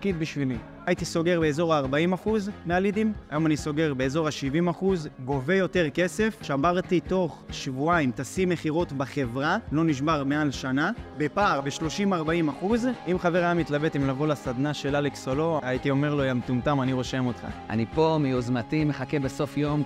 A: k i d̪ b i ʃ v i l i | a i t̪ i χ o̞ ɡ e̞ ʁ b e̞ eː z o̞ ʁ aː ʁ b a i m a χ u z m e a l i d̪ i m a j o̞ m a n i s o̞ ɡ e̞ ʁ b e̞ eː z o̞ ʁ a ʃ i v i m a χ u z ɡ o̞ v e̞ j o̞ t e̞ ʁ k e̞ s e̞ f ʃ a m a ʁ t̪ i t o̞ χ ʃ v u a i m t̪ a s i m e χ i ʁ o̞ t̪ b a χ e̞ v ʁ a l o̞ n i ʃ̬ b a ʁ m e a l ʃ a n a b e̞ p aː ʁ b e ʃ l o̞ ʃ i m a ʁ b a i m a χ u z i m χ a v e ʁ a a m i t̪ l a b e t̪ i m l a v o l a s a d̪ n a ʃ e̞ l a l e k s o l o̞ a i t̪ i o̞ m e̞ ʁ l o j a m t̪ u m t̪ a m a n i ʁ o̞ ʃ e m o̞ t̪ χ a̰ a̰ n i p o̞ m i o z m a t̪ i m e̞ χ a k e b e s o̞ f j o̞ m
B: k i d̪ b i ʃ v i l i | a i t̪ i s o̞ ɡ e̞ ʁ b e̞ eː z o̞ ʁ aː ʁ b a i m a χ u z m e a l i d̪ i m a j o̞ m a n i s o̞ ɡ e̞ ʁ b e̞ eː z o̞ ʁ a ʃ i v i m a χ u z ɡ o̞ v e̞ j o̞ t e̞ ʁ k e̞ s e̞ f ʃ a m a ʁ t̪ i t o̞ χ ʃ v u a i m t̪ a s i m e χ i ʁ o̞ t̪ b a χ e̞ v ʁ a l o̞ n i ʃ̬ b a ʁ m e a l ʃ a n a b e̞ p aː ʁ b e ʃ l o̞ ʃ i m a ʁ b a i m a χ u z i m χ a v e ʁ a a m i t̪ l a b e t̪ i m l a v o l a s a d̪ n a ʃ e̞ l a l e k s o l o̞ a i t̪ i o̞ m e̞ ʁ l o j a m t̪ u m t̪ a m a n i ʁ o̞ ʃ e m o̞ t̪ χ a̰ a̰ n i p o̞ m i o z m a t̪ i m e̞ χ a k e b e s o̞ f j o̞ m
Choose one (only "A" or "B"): B